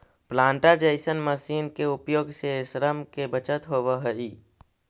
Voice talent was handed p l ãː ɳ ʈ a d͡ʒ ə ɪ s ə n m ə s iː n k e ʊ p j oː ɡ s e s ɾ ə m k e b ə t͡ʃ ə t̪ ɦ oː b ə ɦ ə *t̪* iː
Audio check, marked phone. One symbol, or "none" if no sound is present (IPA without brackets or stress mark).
none